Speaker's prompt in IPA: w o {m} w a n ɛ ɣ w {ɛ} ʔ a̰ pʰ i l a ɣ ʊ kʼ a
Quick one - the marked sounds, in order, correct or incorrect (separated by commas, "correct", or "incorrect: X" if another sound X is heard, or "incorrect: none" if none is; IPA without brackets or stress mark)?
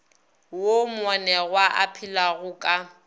correct, incorrect: a